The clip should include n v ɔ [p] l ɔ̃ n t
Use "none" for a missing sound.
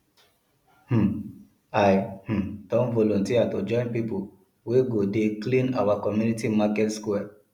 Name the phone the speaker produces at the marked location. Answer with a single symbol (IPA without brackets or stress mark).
none